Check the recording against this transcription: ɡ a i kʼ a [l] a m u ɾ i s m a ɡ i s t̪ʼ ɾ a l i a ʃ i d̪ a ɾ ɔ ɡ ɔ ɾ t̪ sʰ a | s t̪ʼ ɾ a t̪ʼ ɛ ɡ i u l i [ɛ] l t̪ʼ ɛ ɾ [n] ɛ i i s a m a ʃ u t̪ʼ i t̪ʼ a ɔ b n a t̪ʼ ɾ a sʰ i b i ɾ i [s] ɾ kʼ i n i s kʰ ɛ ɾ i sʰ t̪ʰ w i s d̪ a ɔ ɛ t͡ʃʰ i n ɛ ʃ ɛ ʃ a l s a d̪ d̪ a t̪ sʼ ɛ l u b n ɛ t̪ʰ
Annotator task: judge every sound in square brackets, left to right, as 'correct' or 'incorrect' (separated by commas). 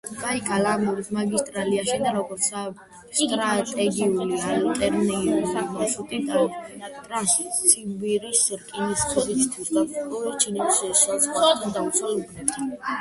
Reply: correct, incorrect, correct, correct